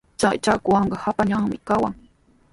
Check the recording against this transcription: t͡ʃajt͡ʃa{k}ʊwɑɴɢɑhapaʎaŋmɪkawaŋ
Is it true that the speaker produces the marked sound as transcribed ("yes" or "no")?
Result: yes